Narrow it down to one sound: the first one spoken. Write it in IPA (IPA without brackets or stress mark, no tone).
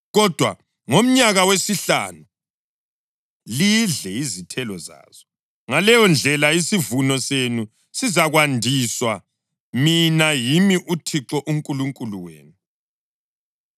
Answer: ɣ